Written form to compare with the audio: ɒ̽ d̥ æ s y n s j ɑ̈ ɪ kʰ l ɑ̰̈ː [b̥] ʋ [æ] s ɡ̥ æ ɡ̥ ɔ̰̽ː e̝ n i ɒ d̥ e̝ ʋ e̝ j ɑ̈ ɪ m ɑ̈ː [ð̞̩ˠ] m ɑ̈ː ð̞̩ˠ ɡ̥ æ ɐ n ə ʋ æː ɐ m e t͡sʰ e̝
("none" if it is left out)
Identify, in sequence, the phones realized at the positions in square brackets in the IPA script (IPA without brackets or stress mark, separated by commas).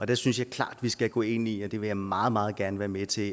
d̥, i, ð̞̩ˠ